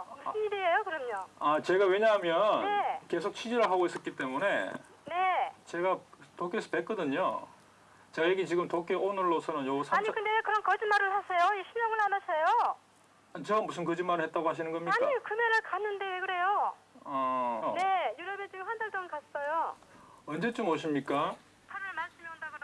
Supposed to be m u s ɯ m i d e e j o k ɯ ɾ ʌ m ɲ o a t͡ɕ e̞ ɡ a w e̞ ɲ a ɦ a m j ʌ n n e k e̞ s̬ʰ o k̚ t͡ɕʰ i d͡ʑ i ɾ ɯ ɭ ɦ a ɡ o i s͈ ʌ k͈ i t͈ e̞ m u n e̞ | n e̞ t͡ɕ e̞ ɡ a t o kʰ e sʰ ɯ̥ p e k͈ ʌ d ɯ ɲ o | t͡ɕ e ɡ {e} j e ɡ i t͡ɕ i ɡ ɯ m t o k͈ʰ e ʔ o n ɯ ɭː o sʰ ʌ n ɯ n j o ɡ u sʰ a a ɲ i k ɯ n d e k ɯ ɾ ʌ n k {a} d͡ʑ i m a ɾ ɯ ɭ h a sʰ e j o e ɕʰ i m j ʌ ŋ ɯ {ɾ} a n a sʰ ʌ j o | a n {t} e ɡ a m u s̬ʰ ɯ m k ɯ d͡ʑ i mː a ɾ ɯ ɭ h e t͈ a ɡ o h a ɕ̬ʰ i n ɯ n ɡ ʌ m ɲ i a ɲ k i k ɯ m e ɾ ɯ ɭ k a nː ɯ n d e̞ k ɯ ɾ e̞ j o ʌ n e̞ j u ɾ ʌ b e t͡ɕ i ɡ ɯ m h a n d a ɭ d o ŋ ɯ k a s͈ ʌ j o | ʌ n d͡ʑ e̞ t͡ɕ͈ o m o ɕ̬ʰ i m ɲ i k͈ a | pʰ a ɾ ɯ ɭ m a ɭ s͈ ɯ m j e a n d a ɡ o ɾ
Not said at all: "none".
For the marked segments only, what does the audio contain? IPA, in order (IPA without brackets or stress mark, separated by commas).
a, ʌ, ɭ, t͡ɕ